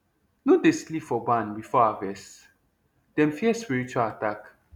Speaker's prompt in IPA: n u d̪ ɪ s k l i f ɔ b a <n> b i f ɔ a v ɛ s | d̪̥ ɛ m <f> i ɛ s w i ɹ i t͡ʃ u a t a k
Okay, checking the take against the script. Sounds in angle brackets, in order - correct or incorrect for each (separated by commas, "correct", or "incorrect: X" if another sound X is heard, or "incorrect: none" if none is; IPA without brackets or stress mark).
correct, correct